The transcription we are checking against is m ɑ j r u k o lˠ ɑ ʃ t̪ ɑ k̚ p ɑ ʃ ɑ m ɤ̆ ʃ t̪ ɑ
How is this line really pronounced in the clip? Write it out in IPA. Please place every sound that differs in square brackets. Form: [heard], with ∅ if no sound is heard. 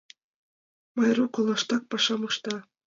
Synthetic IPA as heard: m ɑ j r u k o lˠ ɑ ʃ t̪ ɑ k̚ p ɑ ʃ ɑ m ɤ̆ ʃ t̪ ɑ